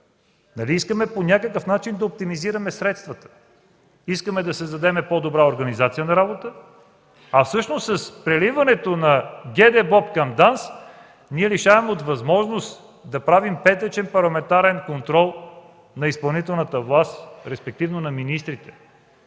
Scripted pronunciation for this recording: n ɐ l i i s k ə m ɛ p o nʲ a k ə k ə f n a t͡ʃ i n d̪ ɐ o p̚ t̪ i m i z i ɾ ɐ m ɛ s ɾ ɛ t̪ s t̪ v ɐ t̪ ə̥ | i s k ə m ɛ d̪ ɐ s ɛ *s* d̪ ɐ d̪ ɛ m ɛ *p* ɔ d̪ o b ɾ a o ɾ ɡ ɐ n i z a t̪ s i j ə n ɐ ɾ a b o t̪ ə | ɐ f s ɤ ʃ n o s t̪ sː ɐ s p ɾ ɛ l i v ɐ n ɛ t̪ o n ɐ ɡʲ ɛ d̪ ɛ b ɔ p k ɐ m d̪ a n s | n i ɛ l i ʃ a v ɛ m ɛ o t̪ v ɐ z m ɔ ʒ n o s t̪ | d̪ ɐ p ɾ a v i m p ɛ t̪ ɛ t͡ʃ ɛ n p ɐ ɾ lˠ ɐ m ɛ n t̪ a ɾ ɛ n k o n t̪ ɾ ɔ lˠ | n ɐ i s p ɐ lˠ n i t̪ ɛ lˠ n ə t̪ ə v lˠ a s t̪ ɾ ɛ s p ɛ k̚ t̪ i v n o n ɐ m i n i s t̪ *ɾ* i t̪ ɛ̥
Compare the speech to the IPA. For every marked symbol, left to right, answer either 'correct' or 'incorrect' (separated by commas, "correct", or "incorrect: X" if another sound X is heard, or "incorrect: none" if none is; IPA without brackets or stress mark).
incorrect: z, correct, correct